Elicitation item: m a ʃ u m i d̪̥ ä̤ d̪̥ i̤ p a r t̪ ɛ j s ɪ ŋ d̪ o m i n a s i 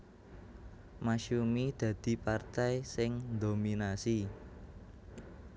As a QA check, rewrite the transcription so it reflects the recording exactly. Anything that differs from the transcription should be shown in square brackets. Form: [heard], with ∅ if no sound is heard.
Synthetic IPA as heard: m a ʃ u m i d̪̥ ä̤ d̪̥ i̤ p a r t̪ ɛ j s ɪ ŋ d̪ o m i n a s i